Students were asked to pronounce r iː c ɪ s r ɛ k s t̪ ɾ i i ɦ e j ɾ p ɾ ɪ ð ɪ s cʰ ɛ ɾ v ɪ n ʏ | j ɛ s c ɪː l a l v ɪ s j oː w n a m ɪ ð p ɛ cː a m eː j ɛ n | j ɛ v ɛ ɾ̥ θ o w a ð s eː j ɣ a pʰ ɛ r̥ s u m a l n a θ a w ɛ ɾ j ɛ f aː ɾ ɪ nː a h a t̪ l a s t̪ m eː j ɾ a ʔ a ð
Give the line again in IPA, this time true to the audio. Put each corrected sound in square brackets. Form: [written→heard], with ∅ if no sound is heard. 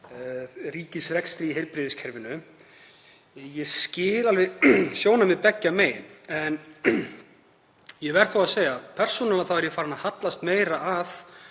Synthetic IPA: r iː c ɪ s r ɛ k s t̪ ɾ i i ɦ e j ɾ p ɾ ɪ ð ɪ s cʰ ɛ ɾ v ɪ n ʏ | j ɛ s c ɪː l a l v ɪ s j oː w n a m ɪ ð p ɛ cː a m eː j ɛ n | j ɛ v ɛ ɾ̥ θ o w a ð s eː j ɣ a pʰ ɛ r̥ s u [m→n] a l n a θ a w ɛ ɾ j ɛ f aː ɾ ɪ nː a h a t̪ l a s t̪ m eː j ɾ a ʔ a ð